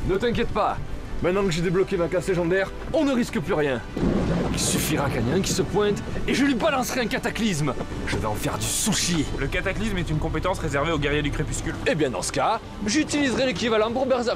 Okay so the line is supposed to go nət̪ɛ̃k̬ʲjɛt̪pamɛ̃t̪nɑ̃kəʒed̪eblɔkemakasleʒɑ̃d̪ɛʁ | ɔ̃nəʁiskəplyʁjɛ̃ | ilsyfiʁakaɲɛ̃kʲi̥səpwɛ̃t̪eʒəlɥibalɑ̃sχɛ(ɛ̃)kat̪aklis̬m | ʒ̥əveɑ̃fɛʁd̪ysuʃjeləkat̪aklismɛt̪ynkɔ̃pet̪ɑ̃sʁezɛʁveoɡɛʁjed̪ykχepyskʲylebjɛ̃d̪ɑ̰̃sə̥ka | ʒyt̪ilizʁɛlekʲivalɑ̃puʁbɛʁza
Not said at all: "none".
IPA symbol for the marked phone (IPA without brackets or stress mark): ɛ̃